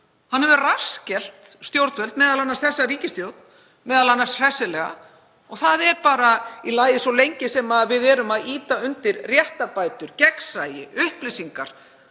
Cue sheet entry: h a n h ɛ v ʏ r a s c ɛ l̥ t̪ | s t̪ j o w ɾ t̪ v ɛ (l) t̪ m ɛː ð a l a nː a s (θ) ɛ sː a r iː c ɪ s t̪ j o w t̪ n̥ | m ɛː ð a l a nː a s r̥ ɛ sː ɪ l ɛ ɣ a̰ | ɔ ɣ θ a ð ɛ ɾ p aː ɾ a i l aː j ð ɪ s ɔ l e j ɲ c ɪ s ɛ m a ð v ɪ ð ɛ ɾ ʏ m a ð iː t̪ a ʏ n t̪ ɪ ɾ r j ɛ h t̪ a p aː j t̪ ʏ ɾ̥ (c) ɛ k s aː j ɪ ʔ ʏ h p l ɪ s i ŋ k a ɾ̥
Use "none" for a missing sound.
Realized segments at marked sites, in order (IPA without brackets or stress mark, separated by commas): l, θ, c